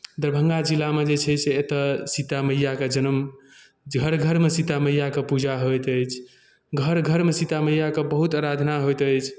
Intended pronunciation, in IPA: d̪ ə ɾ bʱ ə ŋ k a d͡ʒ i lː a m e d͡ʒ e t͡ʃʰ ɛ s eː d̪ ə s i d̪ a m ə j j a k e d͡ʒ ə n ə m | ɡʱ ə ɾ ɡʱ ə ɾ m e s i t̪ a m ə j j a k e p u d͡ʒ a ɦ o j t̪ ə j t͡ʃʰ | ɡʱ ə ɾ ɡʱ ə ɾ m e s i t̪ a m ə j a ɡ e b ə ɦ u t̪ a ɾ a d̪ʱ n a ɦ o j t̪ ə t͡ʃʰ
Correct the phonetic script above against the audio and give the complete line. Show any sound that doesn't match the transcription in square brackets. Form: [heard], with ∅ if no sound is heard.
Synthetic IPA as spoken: d̪ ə ɾ bʱ ə ŋ [ɡ] a d͡ʒ i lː a m e d͡ʒ e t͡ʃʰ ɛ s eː [t̪] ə s i [t̪] a m ə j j a k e d͡ʒ ə n ə m | ɡʱ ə ɾ ɡʱ ə ɾ m e s i t̪ a m ə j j a k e p u d͡ʒ a ɦ o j t̪ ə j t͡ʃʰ | ɡʱ ə ɾ ɡʱ ə ɾ m e s i t̪ a m ə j a [k] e b ə ɦ u t̪ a ɾ a d̪ʱ n a ɦ o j t̪ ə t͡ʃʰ

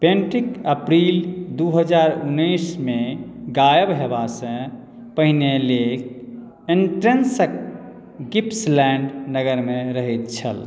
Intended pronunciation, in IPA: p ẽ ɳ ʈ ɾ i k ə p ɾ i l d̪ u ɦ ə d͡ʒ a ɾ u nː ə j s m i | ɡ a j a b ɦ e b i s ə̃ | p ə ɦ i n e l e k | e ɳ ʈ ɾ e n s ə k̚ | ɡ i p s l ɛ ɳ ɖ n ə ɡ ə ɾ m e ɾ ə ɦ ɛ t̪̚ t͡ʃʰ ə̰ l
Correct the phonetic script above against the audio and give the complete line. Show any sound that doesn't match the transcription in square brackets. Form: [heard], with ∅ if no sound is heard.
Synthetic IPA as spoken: p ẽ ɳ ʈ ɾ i k ə p ɾ i l d̪ u ɦ ə d͡ʒ a ɾ u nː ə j s m [e] | ɡ a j [ə] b ɦ e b [a] s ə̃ | p ə ɦ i n e l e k | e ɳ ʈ ɾ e n s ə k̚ | ɡ i p s l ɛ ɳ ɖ n ə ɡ ə ɾ m e ɾ ə ɦ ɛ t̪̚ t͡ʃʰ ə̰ l

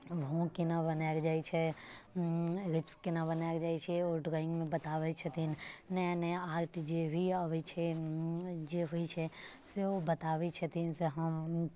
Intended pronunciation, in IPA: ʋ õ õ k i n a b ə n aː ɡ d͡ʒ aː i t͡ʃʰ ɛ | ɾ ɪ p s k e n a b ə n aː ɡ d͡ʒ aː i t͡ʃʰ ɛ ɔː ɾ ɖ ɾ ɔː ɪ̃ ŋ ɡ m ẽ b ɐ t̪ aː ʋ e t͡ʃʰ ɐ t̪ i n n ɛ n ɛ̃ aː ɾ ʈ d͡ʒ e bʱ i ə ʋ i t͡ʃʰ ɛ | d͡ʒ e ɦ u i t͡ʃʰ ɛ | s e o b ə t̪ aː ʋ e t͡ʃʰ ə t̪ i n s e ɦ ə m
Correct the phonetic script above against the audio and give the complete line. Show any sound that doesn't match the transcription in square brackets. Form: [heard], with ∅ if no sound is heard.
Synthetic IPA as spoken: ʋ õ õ k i n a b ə n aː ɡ d͡ʒ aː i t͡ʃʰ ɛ | ɾ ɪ p s k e n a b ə n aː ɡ d͡ʒ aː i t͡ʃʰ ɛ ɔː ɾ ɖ ɾ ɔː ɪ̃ ŋ ɡ m ẽ b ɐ t̪ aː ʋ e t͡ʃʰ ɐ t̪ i n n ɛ n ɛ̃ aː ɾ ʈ d͡ʒ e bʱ i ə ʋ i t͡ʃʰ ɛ | d͡ʒ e ɦ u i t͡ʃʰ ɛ | s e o b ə t̪ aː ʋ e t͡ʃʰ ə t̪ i n s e ɦ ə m

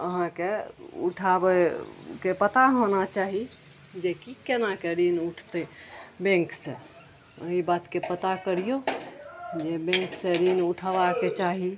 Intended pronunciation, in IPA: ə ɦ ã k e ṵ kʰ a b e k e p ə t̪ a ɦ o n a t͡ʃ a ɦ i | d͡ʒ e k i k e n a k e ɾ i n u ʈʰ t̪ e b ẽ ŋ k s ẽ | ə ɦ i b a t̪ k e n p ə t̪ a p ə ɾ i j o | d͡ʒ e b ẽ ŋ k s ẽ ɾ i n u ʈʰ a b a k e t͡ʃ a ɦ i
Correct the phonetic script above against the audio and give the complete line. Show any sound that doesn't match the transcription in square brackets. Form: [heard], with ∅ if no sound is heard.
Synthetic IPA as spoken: ə ɦ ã k e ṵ [ʈʰ] a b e k e p ə t̪ a ɦ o n a t͡ʃ a ɦ i | d͡ʒ e k i k e n a k e ɾ i n u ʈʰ t̪ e b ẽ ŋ k s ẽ | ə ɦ i b a t̪ k e [∅] p ə t̪ a [k] ə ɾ i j o | d͡ʒ e b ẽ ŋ k s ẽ ɾ i n u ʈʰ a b a k e t͡ʃ a ɦ i

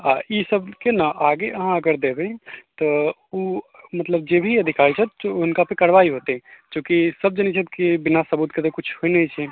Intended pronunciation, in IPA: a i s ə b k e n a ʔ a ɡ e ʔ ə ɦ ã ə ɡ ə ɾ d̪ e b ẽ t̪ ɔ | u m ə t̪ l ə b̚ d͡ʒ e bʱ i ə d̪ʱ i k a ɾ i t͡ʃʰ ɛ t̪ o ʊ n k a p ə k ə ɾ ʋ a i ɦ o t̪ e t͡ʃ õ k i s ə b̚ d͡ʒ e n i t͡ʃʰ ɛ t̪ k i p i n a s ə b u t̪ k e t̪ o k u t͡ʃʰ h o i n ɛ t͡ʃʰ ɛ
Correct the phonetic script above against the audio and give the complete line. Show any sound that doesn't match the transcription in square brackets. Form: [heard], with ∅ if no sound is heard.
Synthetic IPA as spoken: a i s ə b k e n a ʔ a ɡ e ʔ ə ɦ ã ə ɡ ə ɾ d̪ e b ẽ t̪ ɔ | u m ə t̪ l ə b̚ d͡ʒ e bʱ i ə d̪ʱ i k a ɾ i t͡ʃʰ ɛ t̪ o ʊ n k a p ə k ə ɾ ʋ a i ɦ o t̪ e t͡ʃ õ k i s ə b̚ d͡ʒ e n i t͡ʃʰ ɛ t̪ k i [b] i n a s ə b u t̪ k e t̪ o k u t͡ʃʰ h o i n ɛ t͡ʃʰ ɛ

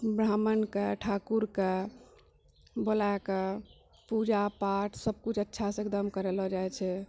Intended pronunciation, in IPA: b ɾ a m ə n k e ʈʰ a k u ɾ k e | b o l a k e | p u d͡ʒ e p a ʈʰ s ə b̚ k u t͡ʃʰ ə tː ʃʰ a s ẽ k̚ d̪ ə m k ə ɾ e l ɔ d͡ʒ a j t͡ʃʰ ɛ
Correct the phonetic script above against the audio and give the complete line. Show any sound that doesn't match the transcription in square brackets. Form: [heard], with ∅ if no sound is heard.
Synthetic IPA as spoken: b ɾ a m ə n k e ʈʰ a k u ɾ k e | b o l a k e | p u d͡ʒ [a] p a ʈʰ s ə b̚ k u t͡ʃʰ ə tː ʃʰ a s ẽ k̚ d̪ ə m k ə ɾ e l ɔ d͡ʒ a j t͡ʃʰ ɛ

